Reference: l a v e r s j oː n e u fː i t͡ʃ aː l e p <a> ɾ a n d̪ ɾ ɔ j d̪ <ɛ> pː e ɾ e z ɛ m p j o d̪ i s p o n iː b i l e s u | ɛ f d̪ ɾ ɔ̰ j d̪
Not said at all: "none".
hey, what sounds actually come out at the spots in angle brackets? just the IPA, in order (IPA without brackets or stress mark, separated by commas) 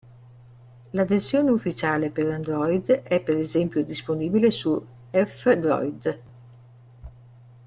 e, ɛ